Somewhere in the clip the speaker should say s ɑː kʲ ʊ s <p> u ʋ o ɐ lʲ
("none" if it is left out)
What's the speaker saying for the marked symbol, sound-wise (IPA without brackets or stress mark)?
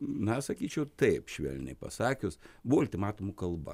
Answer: b